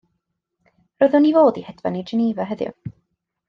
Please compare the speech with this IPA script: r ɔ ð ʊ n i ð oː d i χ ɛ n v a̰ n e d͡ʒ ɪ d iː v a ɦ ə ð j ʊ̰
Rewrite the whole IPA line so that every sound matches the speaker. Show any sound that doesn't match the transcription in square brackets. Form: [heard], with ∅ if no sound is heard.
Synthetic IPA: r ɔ ð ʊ n i [v] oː d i [h] ɛ [d] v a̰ n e d͡ʒ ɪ [n] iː v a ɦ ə ð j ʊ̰